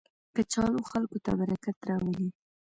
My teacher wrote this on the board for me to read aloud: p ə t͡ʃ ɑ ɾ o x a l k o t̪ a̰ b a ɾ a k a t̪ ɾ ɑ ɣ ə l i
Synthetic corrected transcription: k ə t͡ʃ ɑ l o x a l k o t̪ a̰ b a ɾ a k a t̪ ɾ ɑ w ə l i